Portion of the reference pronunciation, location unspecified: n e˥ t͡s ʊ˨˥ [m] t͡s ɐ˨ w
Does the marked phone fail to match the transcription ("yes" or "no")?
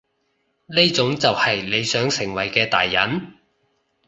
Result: yes